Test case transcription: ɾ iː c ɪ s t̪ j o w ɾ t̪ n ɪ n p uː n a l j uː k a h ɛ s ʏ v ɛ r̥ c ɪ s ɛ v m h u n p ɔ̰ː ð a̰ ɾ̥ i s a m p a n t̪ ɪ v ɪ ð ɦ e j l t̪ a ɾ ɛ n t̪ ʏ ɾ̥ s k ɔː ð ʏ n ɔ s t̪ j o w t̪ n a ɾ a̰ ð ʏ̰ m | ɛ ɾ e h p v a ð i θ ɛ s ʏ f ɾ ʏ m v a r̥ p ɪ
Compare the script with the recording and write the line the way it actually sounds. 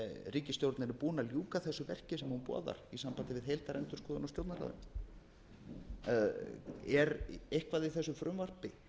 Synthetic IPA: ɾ iː c ɪ s t̪ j o w ɾ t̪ n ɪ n p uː n a l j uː k a θ ɛ s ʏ v ɛ r̥ c ɪ s ɛ m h u n p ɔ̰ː ð a̰ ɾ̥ i s a m p a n t̪ ɪ v ɪ ð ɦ e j l t̪ a ɾ ɛ n t̪ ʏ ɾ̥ s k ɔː ð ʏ n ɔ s t̪ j o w t̪ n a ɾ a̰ ð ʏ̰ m | ɛ ɾ e h k v a ð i θ ɛ s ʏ f ɾ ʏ m v a r̥ p ɪ